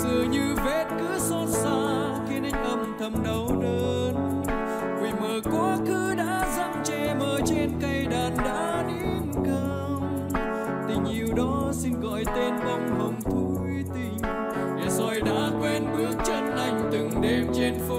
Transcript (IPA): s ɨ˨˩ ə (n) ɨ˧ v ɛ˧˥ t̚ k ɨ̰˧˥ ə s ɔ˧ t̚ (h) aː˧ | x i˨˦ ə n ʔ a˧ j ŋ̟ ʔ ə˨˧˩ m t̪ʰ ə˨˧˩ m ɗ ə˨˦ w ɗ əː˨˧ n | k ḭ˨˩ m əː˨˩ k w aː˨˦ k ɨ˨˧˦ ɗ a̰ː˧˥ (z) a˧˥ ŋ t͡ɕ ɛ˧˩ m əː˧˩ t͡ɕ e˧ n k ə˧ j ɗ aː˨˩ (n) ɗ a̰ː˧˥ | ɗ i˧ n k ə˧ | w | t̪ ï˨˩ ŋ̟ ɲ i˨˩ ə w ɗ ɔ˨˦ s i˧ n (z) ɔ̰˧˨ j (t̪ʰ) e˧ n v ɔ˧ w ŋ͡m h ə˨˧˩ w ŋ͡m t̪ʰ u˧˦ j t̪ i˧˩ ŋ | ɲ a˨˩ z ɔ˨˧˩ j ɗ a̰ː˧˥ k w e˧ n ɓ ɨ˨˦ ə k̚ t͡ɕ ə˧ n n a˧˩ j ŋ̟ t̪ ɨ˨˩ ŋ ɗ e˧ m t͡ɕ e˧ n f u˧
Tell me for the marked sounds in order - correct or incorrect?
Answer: incorrect, incorrect, correct, correct, incorrect, incorrect

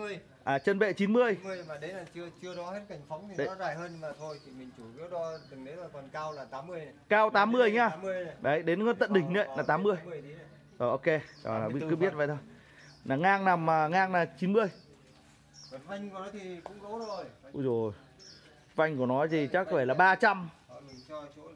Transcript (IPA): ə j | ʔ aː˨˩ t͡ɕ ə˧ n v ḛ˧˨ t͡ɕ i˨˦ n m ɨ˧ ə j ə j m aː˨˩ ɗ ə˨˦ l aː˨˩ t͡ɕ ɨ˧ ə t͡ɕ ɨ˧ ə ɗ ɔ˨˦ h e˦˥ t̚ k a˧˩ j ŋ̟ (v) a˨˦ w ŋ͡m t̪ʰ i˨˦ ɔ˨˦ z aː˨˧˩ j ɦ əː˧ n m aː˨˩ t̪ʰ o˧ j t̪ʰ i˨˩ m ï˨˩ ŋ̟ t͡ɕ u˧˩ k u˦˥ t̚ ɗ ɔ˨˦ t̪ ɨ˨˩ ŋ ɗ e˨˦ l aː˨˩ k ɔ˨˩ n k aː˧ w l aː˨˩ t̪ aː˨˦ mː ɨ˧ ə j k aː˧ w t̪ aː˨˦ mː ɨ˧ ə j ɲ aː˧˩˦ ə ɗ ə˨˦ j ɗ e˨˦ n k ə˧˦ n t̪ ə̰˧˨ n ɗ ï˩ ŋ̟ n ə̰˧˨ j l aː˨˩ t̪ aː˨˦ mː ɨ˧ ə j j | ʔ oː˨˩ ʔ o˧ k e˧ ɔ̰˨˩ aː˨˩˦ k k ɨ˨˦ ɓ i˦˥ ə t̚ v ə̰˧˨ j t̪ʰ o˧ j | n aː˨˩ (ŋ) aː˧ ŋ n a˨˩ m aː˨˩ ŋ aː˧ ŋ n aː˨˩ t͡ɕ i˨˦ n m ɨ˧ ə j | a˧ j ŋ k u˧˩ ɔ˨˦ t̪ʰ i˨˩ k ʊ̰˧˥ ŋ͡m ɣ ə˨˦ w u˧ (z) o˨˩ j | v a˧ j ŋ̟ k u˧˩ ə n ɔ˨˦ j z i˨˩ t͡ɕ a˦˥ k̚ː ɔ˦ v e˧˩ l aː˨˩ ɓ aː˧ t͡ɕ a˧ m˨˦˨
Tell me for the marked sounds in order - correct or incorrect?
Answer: incorrect, correct, correct

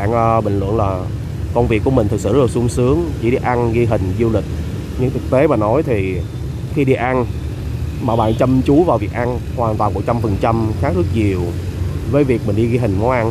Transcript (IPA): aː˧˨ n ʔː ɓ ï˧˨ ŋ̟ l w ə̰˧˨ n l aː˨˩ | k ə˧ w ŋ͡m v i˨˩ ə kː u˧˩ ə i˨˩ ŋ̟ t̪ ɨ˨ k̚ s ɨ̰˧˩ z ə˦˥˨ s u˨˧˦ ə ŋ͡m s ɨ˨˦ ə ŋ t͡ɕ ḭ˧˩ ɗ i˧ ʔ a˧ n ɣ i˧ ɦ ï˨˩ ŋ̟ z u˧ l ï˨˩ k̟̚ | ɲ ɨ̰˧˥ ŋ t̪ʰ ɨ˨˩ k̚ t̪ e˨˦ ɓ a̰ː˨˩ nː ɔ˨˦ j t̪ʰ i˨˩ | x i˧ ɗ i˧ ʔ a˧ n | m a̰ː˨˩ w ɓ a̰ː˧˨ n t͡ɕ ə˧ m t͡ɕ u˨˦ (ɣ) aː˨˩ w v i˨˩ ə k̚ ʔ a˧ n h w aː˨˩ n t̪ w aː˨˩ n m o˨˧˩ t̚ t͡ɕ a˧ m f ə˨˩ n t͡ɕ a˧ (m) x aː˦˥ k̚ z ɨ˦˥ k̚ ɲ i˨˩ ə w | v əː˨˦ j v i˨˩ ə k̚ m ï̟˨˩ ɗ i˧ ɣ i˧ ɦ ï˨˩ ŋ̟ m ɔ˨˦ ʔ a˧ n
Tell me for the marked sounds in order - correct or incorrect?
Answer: incorrect, correct

